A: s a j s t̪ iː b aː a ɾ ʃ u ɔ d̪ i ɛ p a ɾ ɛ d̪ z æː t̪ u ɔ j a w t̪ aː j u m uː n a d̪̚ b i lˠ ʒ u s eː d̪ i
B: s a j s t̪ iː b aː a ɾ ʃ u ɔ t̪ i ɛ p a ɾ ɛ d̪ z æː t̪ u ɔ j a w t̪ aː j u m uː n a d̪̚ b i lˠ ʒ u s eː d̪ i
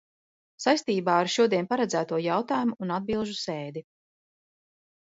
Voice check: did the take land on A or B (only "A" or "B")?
A